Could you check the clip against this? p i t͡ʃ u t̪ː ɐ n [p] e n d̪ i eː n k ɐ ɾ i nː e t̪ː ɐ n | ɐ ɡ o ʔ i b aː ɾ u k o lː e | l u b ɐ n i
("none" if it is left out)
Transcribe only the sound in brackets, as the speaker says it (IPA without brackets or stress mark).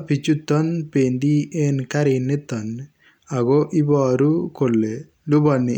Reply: p